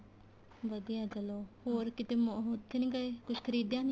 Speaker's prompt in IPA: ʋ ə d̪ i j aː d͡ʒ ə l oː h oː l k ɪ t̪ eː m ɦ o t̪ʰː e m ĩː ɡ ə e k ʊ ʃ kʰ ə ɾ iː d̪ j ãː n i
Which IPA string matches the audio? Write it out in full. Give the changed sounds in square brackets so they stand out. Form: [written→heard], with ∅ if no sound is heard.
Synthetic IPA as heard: ʋ ə d̪ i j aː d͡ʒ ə l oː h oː [l→ɾ] k ɪ t̪ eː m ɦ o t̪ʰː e [m→n] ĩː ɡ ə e k ʊ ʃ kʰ ə ɾ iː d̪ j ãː n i